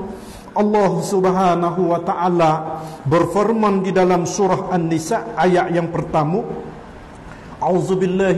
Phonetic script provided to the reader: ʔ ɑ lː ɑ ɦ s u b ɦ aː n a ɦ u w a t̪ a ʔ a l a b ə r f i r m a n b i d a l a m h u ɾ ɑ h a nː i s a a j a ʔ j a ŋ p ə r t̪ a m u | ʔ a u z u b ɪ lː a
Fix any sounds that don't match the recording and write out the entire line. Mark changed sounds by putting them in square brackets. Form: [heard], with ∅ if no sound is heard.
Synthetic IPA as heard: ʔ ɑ lː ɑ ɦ s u b ɦ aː n a ɦ u w a t̪ a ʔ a l a b ə r f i r m a n [d] i d a l a m [s] u ɾ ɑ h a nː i s a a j a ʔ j a ŋ p ə r t̪ a m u | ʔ a u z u b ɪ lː a